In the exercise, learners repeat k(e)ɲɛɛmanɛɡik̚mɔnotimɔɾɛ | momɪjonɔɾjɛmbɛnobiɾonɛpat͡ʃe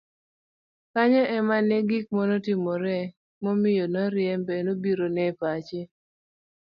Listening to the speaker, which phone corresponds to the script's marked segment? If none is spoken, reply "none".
a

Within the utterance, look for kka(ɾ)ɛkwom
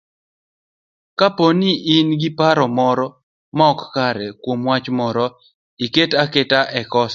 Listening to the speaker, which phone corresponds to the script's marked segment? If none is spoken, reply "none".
ɾ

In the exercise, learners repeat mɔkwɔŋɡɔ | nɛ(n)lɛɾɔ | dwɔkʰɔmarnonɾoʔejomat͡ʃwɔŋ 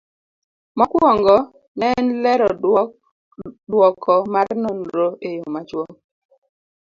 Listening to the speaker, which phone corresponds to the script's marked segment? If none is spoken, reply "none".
n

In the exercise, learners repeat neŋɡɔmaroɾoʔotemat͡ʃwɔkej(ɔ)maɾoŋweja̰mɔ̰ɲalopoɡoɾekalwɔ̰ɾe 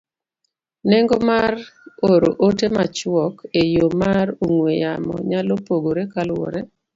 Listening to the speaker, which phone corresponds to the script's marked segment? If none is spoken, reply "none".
o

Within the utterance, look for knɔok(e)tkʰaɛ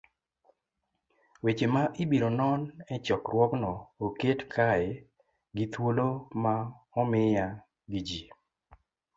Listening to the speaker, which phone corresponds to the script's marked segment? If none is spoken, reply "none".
e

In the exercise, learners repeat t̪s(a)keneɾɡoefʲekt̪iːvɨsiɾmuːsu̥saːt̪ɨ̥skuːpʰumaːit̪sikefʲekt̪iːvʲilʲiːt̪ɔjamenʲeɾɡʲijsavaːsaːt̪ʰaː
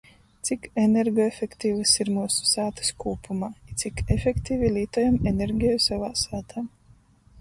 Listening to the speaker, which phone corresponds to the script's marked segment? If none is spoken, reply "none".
i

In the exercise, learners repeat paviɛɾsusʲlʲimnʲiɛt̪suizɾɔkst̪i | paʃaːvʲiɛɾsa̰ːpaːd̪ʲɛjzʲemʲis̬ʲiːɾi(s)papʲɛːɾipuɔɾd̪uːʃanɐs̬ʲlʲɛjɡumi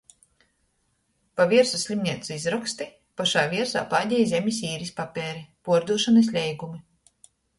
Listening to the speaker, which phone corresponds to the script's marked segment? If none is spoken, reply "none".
s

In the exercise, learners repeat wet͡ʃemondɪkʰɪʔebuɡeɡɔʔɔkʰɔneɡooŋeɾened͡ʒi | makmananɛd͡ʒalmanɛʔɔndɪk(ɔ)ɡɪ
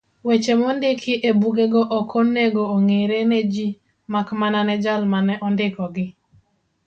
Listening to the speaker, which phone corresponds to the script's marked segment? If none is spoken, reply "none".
ɔ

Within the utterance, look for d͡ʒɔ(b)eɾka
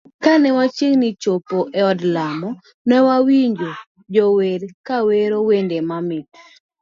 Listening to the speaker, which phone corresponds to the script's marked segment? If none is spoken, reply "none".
w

